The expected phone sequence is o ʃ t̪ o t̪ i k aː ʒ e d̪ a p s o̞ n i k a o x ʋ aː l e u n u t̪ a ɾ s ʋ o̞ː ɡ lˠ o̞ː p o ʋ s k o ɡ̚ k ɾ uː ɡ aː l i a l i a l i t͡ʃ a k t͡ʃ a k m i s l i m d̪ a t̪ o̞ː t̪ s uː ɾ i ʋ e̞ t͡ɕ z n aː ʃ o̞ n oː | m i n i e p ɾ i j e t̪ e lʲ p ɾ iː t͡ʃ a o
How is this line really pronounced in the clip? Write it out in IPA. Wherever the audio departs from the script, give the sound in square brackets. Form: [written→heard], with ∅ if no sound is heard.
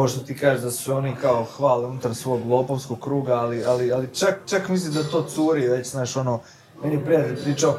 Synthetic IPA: o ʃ t̪ o t̪ i k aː ʒ e d̪ a [p→∅] s o̞ n i k a o x ʋ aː l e u n u t̪ a ɾ s ʋ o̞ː ɡ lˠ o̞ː p o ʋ s k o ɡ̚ k ɾ uː ɡ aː l i a l i a l i t͡ʃ a k t͡ʃ a k m i s l i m d̪ a t̪ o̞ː t̪ s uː ɾ i ʋ e̞ t͡ɕ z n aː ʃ o̞ n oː | m [i→e] n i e p ɾ i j [e→a] t̪ e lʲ p ɾ iː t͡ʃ a o